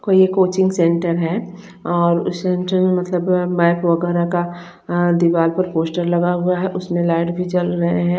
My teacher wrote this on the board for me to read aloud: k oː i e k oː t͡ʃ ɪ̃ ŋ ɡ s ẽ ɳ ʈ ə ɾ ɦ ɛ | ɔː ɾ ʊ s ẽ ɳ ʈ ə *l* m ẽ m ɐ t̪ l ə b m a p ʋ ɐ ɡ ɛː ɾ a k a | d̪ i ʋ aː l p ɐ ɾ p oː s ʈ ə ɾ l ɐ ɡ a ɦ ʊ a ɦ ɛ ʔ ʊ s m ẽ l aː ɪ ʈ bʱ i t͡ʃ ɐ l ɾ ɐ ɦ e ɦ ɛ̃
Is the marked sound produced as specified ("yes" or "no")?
no